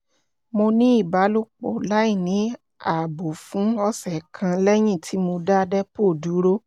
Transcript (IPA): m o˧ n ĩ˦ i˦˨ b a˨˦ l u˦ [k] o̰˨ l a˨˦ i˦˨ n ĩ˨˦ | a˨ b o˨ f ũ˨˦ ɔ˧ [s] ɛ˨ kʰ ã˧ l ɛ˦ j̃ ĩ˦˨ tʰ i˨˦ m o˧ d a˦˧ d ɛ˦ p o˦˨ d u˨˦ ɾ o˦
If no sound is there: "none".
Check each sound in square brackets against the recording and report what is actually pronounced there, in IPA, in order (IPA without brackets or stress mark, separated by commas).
k͡p, s